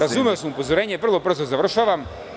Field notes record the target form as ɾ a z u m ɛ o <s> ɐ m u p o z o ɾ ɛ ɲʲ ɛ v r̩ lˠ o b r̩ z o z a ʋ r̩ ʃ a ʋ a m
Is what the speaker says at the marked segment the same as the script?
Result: yes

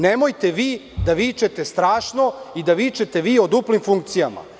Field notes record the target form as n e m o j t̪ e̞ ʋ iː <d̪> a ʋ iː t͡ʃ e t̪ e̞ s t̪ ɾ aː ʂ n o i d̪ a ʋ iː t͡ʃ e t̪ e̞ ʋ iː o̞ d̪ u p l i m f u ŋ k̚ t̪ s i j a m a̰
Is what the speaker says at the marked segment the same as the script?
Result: yes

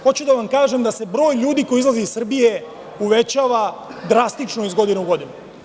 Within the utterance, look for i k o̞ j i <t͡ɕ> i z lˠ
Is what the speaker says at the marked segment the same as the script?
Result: no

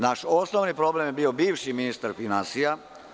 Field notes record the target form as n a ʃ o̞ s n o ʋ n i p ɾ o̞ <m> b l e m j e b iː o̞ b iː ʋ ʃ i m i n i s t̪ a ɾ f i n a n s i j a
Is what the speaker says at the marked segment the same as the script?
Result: no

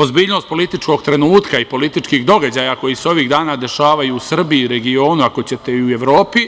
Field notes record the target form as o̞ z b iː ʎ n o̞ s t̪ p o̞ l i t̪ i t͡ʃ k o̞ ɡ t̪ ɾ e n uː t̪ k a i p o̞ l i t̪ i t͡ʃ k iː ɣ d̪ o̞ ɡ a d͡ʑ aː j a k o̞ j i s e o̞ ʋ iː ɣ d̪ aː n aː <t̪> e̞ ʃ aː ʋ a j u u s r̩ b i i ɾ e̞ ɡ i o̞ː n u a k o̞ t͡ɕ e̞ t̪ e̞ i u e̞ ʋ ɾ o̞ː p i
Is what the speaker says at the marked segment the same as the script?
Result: no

